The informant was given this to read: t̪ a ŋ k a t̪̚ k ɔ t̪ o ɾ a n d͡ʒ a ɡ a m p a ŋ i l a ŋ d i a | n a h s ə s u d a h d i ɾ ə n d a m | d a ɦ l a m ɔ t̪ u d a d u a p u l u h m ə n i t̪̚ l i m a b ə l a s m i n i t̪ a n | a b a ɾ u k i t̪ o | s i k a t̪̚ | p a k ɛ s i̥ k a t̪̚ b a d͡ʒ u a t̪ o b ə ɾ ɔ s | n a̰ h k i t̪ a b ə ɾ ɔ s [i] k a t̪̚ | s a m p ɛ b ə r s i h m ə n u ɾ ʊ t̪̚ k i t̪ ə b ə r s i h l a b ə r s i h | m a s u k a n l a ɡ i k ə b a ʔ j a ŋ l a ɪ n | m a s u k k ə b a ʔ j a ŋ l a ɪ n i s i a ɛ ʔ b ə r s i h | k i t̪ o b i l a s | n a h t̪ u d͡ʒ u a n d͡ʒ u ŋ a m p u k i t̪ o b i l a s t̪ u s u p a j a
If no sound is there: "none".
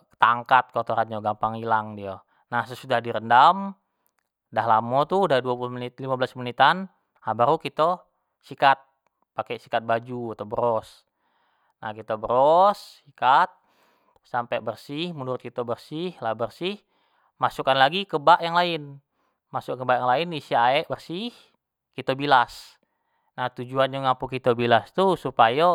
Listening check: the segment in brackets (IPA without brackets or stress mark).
i